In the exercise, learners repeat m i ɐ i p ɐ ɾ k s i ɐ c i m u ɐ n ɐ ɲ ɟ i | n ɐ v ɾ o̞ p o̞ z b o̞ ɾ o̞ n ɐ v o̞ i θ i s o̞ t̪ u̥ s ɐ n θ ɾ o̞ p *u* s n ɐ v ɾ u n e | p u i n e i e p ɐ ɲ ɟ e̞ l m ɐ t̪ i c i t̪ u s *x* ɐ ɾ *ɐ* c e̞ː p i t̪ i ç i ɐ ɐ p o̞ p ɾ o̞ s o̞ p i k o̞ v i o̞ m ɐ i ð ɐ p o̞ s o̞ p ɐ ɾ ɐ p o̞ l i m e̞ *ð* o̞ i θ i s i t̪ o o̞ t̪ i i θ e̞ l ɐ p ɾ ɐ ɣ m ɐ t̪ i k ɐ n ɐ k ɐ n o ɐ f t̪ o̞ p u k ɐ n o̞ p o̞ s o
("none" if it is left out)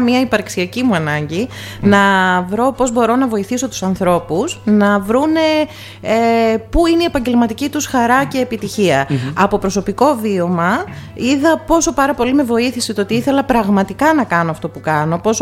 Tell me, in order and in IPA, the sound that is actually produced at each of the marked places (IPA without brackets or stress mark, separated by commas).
u, x, ɐ, v